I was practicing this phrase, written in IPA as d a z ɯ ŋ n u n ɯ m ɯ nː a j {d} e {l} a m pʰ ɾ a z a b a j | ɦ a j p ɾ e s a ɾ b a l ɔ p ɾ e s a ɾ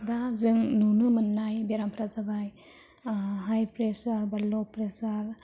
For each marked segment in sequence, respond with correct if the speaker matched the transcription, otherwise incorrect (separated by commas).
incorrect, incorrect